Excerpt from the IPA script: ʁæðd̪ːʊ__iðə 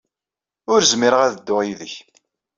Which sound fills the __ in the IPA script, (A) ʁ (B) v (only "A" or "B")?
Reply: A